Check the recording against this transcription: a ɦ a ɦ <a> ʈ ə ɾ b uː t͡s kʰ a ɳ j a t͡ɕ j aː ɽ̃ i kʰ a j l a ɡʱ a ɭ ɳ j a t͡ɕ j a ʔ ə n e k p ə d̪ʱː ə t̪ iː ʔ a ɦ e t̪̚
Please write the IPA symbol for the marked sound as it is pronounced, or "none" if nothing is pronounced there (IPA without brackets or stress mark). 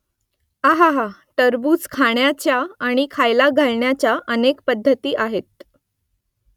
a